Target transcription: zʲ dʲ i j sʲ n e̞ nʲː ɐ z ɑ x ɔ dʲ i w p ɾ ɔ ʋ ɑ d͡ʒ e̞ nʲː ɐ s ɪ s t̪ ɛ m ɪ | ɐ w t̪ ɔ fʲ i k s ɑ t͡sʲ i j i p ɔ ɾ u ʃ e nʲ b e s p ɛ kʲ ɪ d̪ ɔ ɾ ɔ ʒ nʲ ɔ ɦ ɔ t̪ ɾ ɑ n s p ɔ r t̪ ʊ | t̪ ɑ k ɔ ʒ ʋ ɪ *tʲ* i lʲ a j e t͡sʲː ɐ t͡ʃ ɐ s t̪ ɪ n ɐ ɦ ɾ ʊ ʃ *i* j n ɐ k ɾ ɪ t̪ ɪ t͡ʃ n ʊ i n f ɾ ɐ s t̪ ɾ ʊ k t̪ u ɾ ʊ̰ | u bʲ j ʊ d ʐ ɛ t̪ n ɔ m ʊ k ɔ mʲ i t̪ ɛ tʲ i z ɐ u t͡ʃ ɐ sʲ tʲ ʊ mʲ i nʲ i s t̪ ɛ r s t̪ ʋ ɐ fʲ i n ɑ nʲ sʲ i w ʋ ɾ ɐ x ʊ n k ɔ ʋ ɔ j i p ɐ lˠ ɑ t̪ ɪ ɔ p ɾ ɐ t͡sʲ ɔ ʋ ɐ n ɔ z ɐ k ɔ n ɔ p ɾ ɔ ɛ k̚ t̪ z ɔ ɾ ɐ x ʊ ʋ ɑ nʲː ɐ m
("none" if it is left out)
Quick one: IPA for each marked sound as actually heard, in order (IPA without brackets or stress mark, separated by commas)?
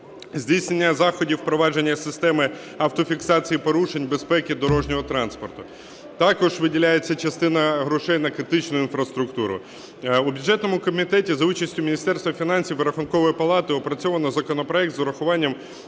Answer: dʲ, ɛ